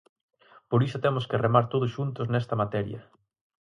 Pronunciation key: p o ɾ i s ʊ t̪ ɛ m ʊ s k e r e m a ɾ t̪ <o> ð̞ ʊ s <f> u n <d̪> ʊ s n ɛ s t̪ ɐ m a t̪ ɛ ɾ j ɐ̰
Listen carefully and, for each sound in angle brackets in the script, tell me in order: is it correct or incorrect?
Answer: correct, incorrect, incorrect

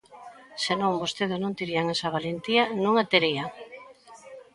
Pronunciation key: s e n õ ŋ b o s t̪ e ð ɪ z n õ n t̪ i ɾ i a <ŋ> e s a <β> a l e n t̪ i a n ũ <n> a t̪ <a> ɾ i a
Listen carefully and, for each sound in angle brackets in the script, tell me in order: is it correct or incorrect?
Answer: correct, correct, incorrect, incorrect

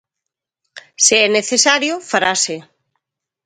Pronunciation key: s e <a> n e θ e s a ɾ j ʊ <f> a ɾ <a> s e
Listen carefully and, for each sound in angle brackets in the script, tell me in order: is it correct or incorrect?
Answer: incorrect, correct, correct

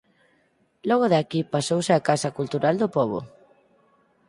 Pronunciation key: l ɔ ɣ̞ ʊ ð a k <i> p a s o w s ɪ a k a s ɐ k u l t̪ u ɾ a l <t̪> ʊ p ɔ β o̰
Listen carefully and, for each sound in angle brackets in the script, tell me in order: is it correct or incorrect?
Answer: correct, incorrect

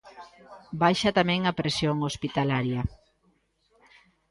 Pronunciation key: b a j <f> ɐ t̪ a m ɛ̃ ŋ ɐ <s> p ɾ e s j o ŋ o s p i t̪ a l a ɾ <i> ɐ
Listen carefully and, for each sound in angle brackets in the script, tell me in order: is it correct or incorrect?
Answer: incorrect, incorrect, incorrect

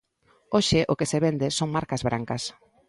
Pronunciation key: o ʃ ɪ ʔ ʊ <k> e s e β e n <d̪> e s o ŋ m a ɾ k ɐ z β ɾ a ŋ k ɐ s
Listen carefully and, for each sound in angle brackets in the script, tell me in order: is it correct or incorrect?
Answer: correct, correct

